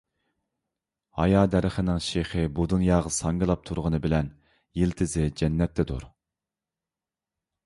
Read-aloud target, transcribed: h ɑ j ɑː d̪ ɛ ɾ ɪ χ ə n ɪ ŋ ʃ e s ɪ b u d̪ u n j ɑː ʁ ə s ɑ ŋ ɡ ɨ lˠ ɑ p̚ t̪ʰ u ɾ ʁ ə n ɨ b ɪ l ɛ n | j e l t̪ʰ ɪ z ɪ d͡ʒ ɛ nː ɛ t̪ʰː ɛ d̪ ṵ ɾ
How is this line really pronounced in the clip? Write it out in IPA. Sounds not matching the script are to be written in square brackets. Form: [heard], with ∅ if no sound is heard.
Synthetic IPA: h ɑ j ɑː d̪ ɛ ɾ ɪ χ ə n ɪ ŋ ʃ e [χ] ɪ b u d̪ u n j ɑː ʁ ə s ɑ ŋ ɡ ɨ lˠ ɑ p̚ t̪ʰ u ɾ ʁ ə n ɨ b ɪ l ɛ n | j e l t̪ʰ ɪ z ɪ d͡ʒ ɛ nː ɛ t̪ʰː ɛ d̪ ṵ ɾ